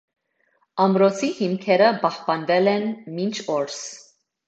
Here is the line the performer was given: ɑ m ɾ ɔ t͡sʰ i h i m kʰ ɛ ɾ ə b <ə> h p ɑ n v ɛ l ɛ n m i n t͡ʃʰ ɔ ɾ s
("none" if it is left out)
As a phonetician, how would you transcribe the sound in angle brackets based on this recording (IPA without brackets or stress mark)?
ɑ